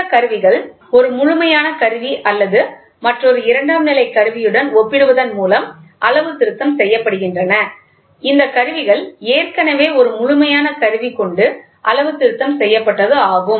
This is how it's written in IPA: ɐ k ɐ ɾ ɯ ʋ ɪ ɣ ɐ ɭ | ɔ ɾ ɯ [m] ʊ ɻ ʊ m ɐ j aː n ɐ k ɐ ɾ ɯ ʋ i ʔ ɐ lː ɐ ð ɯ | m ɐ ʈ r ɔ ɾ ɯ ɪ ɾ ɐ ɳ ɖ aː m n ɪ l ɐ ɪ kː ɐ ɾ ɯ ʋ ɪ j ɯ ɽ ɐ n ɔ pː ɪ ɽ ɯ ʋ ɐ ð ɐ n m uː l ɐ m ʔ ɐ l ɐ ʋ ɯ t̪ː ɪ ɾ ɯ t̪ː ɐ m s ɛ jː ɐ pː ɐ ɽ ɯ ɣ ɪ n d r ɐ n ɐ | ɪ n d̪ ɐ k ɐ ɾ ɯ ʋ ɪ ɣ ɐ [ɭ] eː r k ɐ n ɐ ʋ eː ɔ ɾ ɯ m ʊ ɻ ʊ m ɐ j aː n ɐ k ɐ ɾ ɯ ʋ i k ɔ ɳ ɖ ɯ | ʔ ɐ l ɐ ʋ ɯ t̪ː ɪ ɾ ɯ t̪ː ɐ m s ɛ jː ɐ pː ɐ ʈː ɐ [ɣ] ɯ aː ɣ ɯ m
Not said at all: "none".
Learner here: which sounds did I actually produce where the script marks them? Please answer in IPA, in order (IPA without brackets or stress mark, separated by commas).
m, ɭ, ð